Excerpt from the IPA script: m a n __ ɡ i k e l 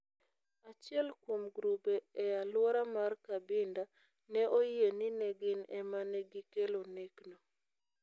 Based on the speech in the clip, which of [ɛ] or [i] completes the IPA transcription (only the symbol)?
ɛ